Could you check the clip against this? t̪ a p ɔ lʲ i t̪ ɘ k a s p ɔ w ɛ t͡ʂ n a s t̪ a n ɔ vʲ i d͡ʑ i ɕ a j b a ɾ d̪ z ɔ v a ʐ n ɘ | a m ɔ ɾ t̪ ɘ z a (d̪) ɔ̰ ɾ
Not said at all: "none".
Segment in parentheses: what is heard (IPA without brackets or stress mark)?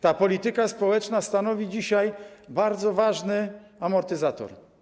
t̪